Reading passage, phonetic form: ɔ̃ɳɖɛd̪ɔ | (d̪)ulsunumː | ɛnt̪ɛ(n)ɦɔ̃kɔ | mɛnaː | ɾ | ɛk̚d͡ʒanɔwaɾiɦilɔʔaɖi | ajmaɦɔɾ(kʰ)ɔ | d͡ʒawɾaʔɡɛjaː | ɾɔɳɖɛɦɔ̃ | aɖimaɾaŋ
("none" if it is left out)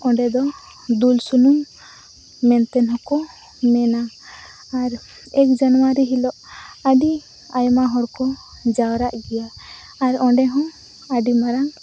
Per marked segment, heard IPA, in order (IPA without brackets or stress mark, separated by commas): d̪, n, k